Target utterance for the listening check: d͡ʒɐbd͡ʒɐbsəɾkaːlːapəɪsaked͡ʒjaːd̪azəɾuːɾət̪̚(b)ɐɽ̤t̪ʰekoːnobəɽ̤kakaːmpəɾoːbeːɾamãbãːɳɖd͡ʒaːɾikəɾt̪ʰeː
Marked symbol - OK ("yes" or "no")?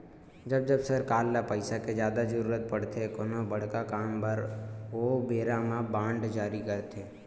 no